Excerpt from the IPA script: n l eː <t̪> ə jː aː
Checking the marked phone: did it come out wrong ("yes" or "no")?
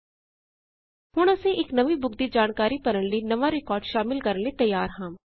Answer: no